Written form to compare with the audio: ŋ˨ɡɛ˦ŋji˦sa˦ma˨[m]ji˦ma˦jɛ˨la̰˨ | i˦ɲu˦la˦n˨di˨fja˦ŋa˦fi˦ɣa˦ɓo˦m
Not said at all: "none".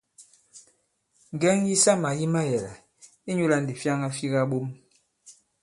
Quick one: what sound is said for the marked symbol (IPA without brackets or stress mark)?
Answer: none